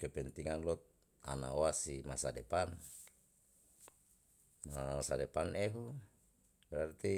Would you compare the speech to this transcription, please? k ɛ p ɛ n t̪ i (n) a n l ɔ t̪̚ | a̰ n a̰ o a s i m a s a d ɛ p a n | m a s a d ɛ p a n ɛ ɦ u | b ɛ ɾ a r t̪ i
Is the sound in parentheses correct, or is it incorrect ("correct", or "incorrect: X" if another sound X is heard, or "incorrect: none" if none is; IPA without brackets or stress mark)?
incorrect: ŋ